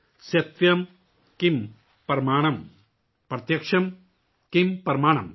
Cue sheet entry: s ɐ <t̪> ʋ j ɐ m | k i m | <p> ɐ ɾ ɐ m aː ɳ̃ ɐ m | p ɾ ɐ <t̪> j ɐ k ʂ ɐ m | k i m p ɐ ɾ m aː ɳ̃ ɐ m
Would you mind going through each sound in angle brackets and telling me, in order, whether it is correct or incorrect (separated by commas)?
correct, correct, correct